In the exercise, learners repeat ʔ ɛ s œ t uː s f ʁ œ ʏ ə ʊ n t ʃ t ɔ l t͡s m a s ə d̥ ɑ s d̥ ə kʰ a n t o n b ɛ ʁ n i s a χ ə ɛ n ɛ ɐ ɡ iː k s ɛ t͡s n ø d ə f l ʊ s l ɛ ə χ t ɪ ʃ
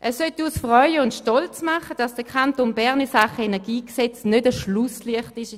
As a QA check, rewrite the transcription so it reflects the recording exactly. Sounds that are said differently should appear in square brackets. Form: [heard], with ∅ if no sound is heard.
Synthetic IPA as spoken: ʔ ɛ s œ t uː s f ʁ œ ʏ ə ʊ n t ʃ t ɔ l t͡s m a [χ] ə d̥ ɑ s d̥ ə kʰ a n t o n b ɛ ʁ n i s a χ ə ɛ n ɛ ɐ ɡ iː k s ɛ t͡s n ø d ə [ʃ] l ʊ s l [i] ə χ t ɪ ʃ